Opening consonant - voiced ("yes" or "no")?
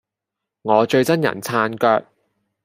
yes